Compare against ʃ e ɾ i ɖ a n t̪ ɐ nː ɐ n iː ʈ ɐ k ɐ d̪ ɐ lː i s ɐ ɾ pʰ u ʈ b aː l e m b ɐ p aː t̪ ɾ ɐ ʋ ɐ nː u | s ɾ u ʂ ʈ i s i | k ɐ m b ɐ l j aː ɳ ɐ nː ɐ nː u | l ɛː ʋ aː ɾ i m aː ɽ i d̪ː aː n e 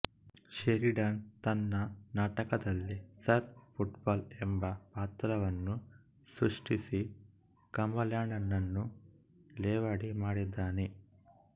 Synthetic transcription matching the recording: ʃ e ɾ i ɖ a n t̪ ɐ nː ɐ n aː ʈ ɐ k ɐ d̪ ɐ lː i s ɐ ɾ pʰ u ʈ b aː l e m b ɐ p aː t̪ ɾ ɐ ʋ ɐ nː u | s ɾ u ʂ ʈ i s i | k ɐ m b ɐ l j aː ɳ ɐ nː ɐ nː u | l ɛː ʋ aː ɽ i m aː ɽ i d̪ː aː n e